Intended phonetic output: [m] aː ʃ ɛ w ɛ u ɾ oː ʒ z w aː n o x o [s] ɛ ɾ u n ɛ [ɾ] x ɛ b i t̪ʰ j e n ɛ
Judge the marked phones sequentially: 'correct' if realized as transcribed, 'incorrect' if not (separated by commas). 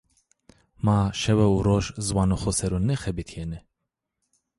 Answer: correct, correct, incorrect